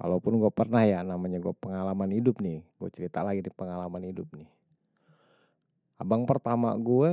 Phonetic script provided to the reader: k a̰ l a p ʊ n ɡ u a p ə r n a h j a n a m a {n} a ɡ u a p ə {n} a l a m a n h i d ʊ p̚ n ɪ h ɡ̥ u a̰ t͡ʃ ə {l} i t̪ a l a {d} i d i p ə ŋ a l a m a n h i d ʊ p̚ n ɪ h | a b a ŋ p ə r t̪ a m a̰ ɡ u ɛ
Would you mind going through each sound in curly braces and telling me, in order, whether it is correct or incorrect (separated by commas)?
incorrect, incorrect, incorrect, incorrect